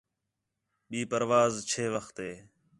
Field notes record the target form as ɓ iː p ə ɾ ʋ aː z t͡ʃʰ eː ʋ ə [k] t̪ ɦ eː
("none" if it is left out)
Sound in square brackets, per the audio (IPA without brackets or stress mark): x